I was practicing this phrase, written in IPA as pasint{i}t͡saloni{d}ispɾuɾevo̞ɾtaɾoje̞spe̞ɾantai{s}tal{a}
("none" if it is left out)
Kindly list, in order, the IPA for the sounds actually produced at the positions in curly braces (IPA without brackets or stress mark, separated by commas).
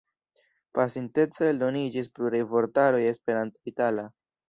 e, d͡ʒ, none, a